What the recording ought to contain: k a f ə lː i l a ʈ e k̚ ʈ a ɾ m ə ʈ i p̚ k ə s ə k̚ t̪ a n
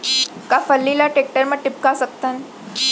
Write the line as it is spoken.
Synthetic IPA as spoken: k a f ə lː i l a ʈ e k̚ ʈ ə ɾ m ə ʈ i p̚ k a s ə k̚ t̪ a n